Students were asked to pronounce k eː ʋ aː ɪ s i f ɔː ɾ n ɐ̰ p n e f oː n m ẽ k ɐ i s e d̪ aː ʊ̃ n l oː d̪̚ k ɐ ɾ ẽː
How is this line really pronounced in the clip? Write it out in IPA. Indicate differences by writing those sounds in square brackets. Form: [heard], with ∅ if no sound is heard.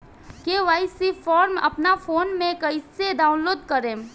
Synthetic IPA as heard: k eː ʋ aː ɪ s i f ɔː ɾ [m] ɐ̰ p n [a] f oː n m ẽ k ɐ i s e d̪ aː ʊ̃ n l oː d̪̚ k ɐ ɾ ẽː